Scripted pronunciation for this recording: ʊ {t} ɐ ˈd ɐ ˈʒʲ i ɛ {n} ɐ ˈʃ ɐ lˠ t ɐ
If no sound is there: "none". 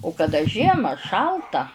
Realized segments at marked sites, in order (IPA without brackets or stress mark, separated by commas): k, m